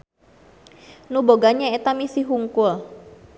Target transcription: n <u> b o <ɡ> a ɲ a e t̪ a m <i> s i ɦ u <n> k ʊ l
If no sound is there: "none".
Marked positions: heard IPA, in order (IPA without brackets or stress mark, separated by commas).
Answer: u, ɡ, i, ŋ